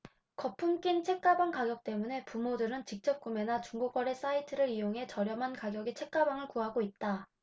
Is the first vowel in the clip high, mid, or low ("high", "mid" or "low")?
mid